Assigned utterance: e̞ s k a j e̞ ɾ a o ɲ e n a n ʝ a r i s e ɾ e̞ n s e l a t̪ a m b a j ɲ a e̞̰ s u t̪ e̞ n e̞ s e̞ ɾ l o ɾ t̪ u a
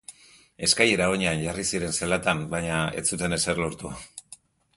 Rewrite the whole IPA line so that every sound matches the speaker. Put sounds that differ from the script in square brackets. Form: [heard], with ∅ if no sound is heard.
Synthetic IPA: e̞ s k a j e̞ ɾ a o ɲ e [∅] a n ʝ a r i s [i] ɾ e̞ n s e l a t̪ a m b a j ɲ a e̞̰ [t͡s] u t̪ e̞ n e̞ s e̞ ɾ l o ɾ t̪ u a

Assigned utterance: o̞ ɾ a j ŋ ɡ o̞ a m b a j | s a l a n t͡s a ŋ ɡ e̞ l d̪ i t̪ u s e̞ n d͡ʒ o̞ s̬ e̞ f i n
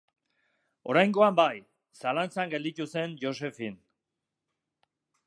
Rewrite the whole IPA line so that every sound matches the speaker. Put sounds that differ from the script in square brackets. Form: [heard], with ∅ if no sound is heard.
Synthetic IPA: o̞ ɾ a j ŋ ɡ o̞ a m b a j | s a l a n t͡s a ŋ ɡ e̞ l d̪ i t̪ u s e̞ n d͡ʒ o̞ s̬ e̞ f i n

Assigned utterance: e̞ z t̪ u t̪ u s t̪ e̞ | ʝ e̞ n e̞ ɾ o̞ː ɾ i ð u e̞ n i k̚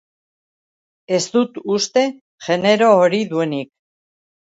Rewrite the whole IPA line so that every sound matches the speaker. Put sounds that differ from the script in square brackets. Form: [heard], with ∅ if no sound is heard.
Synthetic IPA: e̞ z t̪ u t̪ u s t̪ e̞ | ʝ e̞ n e̞ ɾ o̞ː ɾ i ð u e̞ n i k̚

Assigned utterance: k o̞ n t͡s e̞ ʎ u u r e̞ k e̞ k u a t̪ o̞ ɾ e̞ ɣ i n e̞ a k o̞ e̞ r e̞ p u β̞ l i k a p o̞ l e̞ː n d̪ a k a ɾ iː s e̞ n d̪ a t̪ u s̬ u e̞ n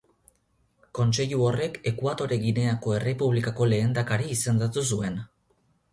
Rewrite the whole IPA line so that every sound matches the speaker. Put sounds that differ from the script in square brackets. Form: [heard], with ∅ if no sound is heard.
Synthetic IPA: k o̞ n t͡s e̞ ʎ u [o] r e̞ k e̞ k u a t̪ o̞ ɾ e̞ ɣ i n e̞ a k o̞ e̞ r e̞ p u β̞ l i k a [k] o̞ l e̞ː n d̪ a k a ɾ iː s e̞ n d̪ a t̪ u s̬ u e̞ n

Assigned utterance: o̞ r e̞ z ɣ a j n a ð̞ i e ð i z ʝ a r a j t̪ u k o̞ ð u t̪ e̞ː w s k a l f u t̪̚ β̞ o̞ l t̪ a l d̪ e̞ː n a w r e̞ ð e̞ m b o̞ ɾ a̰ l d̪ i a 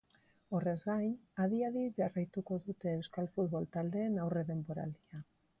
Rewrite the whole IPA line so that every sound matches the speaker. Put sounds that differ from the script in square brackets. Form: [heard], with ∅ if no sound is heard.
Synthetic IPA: o̞ r e̞ z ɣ a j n a ð̞ i [a] ð i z ʝ a r a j t̪ u k o̞ ð u t̪ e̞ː w s k a l f u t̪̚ β̞ o̞ l t̪ a l d̪ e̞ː n a w r e̞ ð e̞ m b o̞ ɾ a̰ l d̪ i a

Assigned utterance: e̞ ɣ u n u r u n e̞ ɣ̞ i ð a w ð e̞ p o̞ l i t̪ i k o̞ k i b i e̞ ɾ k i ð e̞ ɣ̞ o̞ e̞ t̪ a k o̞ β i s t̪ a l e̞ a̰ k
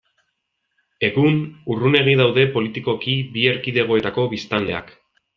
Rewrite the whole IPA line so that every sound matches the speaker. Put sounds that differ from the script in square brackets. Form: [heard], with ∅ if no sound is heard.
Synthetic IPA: e̞ ɣ u n u r u n e̞ ɣ̞ i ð a w ð e̞ p o̞ l i t̪ i k o̞ k i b i e̞ ɾ k i ð e̞ ɣ̞ o̞ e̞ t̪ a k o̞ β i s t̪ a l e̞ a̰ k

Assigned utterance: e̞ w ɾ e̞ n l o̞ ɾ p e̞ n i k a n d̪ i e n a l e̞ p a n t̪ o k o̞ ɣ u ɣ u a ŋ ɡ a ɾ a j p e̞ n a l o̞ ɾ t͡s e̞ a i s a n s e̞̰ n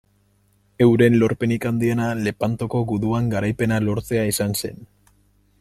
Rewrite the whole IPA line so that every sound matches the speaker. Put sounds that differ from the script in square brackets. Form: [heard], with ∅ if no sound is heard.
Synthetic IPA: e̞ w ɾ e̞ n l o̞ ɾ p e̞ n i k a n d̪ i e n a l e̞ p a n t̪ o k o̞ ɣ u [ð] u a ŋ ɡ a ɾ a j p e̞ n a l o̞ ɾ t͡s e̞ a i s a n s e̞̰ n

